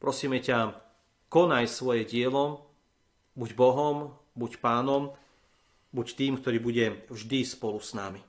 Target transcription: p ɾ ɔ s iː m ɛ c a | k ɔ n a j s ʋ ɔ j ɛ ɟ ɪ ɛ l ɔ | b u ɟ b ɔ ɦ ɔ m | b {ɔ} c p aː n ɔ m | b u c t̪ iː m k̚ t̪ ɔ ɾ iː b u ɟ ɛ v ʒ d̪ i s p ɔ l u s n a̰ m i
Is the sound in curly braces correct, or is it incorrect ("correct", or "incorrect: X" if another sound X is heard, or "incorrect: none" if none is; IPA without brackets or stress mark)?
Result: incorrect: u